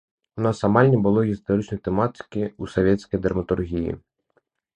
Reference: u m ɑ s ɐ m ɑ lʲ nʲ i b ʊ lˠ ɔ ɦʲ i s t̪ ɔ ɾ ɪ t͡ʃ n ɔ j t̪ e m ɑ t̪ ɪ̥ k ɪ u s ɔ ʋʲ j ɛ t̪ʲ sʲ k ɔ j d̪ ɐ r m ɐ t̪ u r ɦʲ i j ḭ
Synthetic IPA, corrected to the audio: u n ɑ s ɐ m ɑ lʲ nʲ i b ʊ lˠ ɔ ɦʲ i s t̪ ɔ ɾ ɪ t͡ʃ n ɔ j t̪ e m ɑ t̪ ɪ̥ k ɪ u s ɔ ʋʲ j ɛ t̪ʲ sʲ k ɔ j d̪ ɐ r m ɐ t̪ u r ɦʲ i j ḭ